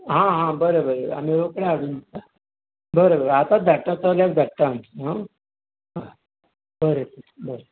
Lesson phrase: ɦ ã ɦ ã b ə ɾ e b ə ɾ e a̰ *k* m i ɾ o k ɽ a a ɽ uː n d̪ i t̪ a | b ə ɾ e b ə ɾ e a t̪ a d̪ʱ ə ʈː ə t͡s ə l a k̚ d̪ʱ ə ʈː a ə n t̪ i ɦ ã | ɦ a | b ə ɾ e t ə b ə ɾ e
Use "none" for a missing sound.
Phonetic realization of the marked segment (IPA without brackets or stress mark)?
none